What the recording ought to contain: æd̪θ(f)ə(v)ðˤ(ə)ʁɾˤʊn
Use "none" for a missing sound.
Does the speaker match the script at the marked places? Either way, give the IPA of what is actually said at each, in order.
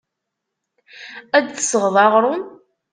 s, ʁ, ɑ

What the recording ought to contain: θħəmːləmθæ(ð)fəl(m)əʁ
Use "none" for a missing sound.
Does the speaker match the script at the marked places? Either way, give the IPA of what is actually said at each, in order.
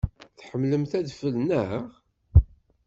ð, n

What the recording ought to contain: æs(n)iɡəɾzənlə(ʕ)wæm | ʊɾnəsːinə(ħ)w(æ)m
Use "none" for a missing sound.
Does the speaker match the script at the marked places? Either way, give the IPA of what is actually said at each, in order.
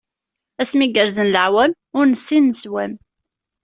m, ʕ, s, æ

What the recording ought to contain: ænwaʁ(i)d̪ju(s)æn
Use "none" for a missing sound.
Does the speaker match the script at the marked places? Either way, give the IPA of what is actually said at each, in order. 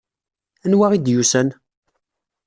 i, s

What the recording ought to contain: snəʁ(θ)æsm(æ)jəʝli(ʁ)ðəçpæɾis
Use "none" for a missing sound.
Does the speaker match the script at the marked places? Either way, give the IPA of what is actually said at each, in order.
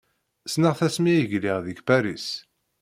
θ, i, ʁ

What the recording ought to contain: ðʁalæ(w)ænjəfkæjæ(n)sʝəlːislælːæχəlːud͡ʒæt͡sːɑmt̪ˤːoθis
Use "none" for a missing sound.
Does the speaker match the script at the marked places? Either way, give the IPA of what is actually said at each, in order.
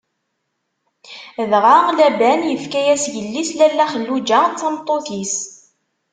b, none

